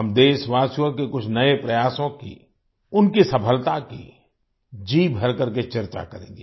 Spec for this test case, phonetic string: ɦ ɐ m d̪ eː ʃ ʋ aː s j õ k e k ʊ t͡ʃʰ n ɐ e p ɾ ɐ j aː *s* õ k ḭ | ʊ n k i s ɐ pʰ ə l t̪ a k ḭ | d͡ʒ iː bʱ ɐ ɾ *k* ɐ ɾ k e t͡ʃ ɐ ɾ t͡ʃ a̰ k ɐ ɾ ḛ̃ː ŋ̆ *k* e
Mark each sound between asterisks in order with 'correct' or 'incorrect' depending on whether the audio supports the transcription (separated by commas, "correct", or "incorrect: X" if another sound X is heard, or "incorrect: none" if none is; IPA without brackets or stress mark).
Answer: correct, correct, incorrect: ɡ